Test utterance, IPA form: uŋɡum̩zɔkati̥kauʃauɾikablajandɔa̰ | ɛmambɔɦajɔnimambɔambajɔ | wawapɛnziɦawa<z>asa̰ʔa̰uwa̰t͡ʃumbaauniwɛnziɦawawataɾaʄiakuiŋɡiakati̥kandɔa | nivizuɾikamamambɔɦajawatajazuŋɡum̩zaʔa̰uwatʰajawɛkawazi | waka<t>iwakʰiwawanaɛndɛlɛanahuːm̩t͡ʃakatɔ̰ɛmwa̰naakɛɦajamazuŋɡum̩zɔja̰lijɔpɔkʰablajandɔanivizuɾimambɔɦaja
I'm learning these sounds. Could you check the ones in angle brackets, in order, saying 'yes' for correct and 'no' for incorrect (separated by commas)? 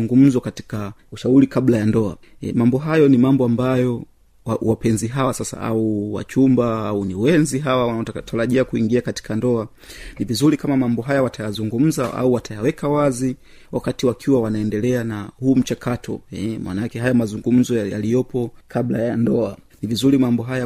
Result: no, yes